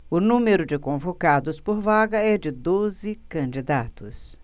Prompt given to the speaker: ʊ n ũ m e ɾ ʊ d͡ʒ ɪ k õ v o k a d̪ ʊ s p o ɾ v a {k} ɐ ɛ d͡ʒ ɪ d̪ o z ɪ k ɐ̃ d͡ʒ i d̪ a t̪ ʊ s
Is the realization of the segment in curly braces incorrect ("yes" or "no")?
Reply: yes